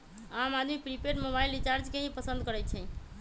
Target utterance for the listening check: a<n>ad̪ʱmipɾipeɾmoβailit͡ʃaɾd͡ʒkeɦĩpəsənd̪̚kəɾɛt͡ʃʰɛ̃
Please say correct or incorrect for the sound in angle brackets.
incorrect